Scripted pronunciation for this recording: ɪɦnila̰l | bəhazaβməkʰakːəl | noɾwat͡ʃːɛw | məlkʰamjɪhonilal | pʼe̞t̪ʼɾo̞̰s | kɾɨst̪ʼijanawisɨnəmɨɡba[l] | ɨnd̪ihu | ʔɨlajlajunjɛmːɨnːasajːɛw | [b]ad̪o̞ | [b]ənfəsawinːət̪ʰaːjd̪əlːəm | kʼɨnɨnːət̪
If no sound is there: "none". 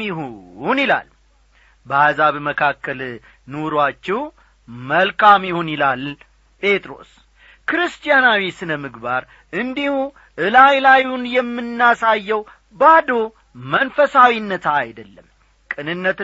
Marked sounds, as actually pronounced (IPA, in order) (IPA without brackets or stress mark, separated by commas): ɾ, b, m